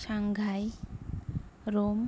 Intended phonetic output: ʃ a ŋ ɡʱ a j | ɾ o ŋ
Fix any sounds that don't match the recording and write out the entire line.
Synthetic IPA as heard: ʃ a ŋ ɡʱ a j | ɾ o m